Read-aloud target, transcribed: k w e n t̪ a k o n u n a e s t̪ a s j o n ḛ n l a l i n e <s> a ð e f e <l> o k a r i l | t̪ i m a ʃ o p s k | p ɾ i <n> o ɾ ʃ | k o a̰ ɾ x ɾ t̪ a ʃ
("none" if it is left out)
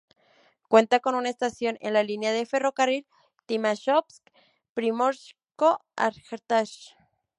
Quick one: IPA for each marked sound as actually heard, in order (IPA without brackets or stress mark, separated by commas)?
none, r, m